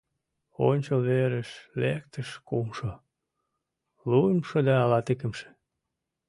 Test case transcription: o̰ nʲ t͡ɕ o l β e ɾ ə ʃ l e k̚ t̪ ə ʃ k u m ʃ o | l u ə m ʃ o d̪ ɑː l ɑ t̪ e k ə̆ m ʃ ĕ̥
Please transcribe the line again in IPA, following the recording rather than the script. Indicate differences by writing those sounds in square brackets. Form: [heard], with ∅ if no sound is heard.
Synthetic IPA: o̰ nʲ t͡ɕ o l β e ɾ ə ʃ l e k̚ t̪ ə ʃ k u m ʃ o | l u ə m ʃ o d̪ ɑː l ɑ t̪ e k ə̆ m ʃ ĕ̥